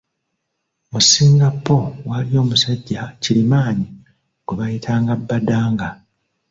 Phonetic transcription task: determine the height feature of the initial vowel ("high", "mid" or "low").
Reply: high